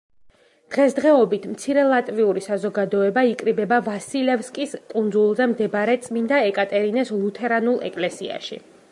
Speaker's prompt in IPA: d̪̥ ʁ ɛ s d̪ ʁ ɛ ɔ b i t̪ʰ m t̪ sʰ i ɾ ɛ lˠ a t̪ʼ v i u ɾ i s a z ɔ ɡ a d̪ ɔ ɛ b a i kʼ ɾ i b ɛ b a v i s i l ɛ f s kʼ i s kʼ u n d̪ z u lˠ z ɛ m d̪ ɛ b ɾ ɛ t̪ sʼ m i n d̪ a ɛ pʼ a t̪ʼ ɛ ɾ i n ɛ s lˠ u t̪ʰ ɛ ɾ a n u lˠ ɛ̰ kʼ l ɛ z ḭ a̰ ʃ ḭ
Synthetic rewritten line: d̪̥ ʁ ɛ s d̪ ʁ ɛ ɔ b i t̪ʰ m t̪ sʰ i ɾ ɛ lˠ a t̪ʼ v i u ɾ i s a z ɔ ɡ a d̪ ɔ ɛ b a i kʼ ɾ i b ɛ b a v a s i l ɛ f s kʼ i s kʼ u n d̪ z u lˠ z ɛ m d̪ ɛ b ɾ ɛ t̪ sʼ m i n d̪ a ɛ kʼ a t̪ʼ ɛ ɾ i n ɛ s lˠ u t̪ʰ ɛ ɾ a n u lˠ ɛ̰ kʼ l ɛ s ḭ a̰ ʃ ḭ